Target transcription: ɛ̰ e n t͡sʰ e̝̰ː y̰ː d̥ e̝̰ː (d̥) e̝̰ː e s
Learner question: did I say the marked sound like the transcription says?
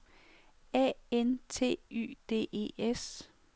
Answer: no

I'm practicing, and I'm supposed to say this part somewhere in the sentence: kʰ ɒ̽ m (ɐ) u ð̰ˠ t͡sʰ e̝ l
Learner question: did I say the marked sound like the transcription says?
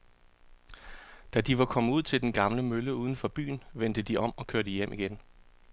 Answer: no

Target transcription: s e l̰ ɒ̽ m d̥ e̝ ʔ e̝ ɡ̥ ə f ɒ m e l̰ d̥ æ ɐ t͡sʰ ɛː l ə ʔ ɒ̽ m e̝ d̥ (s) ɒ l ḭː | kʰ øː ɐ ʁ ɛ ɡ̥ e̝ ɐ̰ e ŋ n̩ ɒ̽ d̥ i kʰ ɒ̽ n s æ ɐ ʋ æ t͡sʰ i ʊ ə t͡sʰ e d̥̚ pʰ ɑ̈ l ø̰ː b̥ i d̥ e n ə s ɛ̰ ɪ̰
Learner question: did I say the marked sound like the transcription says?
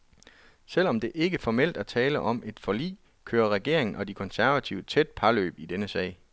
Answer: no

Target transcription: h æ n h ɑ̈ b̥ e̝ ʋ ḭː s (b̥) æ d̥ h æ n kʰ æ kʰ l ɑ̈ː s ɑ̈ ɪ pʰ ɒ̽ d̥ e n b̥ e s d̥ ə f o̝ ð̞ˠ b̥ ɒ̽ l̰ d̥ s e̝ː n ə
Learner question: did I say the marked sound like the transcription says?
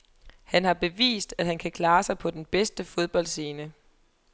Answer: no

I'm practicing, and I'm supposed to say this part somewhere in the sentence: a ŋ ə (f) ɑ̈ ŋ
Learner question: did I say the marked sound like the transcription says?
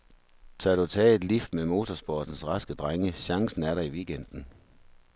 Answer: no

